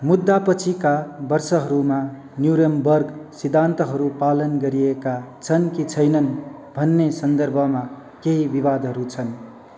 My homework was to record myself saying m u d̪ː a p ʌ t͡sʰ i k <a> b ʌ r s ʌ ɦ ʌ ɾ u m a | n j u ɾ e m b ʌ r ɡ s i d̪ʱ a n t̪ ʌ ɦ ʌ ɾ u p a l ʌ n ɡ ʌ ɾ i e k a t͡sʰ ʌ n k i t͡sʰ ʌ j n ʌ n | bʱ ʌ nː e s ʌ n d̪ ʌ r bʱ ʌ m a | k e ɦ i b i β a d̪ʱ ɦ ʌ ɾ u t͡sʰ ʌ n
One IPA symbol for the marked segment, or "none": a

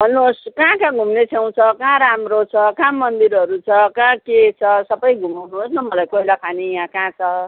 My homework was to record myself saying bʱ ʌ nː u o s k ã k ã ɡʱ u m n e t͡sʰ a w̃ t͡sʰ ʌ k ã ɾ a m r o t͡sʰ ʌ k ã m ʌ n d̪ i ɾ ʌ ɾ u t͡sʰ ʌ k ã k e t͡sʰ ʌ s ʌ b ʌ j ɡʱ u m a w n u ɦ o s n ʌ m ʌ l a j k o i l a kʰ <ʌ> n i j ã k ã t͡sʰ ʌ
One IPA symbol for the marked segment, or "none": a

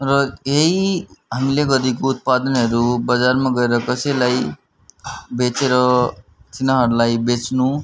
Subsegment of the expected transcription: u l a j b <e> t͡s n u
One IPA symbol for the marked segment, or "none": e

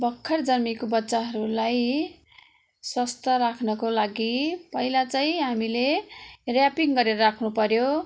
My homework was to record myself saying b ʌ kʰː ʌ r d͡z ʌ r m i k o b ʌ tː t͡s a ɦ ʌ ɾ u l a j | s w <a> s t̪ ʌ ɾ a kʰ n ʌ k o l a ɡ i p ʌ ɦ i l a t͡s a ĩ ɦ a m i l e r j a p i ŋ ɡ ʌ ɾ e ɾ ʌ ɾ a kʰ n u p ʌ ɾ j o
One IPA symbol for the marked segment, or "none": ʌ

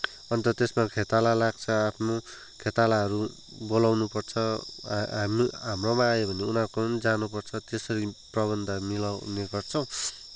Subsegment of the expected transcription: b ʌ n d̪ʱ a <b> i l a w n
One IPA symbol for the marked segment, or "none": m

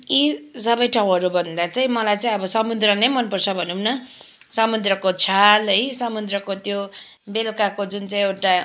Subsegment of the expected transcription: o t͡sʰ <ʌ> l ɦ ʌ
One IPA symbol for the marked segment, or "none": a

